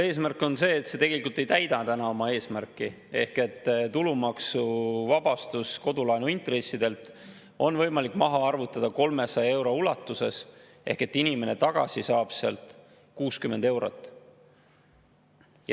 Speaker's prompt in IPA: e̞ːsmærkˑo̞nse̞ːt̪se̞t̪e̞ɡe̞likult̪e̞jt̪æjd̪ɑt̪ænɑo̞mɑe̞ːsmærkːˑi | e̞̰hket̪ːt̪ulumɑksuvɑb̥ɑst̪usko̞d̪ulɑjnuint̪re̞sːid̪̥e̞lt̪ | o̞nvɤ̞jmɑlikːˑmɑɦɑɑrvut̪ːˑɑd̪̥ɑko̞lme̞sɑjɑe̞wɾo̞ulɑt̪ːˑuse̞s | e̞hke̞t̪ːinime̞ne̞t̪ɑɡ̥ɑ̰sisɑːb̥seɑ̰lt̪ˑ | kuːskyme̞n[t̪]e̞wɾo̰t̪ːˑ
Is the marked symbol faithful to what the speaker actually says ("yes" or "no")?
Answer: no